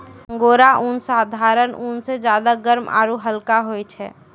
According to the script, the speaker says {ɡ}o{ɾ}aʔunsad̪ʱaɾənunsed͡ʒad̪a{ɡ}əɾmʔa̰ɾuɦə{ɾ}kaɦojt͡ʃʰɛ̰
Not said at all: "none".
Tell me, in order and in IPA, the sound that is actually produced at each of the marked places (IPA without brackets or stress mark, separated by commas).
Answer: ɡ, ɾ, ɡ, l